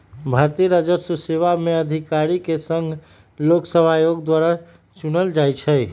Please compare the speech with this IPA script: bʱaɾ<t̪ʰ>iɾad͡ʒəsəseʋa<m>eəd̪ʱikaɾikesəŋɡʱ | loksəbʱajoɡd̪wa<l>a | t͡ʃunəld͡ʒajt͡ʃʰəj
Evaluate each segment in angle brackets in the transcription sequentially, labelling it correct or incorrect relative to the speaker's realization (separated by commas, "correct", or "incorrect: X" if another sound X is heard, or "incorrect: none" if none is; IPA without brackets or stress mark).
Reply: incorrect: t̪, correct, incorrect: ɾ